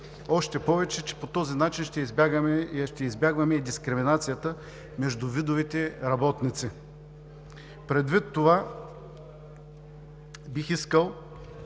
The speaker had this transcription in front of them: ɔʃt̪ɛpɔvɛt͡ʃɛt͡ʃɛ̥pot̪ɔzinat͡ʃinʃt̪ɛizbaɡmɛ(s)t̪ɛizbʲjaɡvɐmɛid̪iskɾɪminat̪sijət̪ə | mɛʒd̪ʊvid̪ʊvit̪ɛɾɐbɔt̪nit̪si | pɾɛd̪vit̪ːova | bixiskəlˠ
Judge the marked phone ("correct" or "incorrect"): incorrect